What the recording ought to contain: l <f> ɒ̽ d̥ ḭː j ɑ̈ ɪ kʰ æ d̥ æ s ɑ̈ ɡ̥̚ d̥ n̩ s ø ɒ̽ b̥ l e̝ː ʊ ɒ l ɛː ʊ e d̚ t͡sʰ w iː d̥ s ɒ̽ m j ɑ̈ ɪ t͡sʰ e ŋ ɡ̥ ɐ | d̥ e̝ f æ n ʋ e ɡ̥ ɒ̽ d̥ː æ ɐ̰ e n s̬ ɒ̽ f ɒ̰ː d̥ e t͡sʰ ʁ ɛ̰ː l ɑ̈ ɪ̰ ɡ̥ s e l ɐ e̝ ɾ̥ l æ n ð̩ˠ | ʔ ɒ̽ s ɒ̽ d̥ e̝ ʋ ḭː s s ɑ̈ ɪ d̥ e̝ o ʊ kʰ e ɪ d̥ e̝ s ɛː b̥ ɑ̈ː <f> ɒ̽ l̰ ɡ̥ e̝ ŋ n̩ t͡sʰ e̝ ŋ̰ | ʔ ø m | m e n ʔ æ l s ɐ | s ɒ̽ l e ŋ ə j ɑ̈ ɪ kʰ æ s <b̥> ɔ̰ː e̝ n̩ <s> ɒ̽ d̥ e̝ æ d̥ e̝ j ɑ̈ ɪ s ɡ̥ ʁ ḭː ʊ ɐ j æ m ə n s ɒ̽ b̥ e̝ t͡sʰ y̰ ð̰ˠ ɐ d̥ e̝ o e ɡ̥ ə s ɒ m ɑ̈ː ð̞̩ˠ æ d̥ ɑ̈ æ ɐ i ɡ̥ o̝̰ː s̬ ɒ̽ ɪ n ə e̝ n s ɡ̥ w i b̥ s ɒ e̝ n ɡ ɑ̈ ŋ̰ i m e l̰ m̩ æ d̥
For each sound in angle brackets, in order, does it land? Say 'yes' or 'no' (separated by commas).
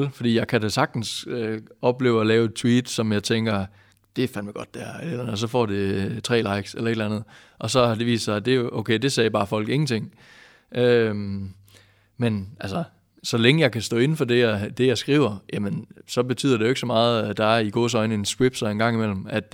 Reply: yes, yes, no, no